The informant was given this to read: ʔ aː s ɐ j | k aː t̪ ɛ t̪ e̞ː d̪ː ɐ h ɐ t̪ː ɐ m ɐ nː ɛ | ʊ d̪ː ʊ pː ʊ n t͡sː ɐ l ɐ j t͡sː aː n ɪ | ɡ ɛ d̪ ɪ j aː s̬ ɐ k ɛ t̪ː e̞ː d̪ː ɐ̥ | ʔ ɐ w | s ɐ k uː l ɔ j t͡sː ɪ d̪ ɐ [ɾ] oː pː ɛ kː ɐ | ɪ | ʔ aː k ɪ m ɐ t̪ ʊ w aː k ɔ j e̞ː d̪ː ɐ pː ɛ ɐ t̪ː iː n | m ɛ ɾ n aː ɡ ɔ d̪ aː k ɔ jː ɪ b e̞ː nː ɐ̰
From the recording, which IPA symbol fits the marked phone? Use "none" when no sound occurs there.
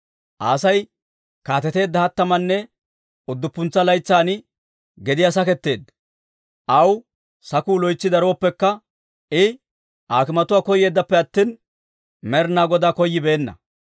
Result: ɾ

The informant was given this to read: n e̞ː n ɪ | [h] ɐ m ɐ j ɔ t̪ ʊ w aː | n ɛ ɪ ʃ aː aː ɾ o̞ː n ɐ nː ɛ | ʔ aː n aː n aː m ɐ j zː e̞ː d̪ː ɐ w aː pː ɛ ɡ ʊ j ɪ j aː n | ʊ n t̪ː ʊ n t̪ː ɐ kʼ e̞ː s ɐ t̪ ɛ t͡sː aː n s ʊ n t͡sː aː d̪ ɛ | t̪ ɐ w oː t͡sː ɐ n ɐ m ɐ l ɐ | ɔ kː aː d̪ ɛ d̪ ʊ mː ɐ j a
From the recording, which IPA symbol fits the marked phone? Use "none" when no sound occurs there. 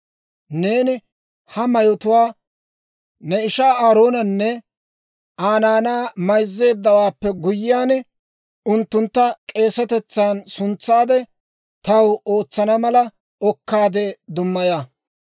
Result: h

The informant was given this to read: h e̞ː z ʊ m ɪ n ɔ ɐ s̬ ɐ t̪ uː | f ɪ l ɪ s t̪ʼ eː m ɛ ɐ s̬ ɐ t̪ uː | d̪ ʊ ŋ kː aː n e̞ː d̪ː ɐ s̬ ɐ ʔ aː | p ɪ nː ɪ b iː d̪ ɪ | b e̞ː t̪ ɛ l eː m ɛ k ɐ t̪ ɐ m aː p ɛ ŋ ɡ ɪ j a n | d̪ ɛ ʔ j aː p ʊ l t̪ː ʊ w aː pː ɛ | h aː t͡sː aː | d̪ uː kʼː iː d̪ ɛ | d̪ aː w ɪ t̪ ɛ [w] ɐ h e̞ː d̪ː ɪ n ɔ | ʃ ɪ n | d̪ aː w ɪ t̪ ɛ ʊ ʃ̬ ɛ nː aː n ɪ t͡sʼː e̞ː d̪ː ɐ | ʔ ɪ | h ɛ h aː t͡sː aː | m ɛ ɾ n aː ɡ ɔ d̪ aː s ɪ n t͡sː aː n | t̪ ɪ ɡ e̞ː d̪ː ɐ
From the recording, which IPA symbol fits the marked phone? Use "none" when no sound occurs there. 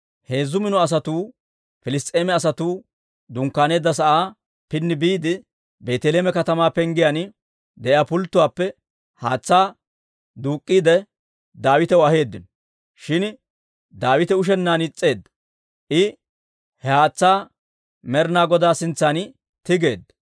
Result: w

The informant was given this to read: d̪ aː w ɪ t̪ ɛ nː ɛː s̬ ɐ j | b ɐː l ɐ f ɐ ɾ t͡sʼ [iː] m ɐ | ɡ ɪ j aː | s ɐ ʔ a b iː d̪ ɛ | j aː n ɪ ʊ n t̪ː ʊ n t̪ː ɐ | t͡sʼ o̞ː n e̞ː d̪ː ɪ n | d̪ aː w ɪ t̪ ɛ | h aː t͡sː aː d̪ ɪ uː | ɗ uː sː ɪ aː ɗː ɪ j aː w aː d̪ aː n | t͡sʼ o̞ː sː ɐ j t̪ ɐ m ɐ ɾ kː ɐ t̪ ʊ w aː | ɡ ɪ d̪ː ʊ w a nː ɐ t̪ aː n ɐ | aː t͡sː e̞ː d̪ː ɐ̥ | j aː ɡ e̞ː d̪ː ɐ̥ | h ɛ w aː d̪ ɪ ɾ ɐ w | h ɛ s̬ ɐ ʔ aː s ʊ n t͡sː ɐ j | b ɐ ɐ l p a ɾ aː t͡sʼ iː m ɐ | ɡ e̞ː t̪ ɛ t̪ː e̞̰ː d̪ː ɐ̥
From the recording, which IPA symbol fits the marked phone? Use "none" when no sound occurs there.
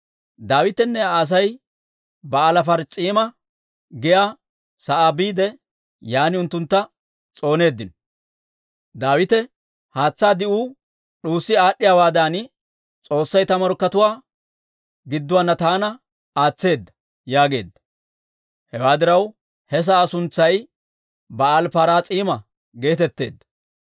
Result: iː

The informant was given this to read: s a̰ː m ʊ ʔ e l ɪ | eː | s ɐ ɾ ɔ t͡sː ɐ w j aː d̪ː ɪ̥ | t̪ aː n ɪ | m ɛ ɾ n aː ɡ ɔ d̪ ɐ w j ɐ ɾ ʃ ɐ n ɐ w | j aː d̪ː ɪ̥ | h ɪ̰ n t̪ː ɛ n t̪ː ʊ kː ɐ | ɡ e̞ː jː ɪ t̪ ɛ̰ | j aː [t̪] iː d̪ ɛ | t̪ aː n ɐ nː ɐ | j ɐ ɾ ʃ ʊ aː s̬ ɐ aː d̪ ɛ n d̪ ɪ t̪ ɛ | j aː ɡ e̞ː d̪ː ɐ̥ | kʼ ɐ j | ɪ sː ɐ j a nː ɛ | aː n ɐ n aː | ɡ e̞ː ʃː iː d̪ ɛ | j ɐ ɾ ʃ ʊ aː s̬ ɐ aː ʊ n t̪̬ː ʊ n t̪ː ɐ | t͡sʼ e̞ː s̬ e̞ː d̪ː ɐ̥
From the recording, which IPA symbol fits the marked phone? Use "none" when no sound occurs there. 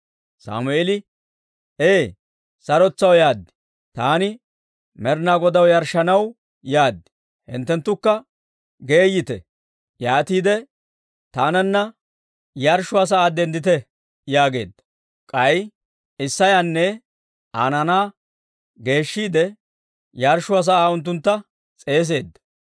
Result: t̪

